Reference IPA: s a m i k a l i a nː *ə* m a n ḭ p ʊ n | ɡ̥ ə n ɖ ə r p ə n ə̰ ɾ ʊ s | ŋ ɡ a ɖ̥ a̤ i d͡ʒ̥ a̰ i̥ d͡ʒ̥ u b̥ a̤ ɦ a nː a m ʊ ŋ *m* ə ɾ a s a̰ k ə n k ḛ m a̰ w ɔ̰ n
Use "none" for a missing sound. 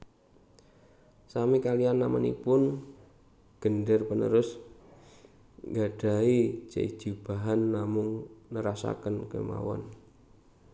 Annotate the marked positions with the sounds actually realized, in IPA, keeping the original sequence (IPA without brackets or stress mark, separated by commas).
a, n